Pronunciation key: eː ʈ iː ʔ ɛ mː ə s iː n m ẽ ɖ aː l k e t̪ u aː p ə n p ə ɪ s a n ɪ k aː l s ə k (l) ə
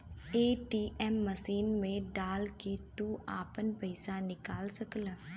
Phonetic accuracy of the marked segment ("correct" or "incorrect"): correct